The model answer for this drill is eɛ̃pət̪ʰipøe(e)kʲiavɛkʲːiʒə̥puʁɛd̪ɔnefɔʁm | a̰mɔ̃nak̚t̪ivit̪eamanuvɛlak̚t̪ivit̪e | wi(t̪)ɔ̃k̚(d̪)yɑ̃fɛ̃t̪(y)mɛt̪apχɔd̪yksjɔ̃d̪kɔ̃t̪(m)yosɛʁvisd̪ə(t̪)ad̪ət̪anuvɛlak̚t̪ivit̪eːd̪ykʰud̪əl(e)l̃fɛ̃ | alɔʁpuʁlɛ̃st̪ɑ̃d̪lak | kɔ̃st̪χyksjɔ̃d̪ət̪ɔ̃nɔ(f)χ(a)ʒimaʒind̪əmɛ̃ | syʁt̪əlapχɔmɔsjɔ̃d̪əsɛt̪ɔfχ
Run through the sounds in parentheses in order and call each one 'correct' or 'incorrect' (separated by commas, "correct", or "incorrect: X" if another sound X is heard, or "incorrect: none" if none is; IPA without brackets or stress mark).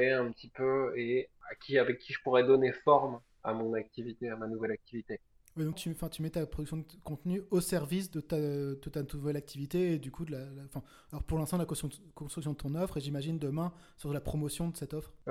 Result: incorrect: a, incorrect: d̪, incorrect: t̪, correct, incorrect: n, correct, incorrect: a, correct, incorrect: e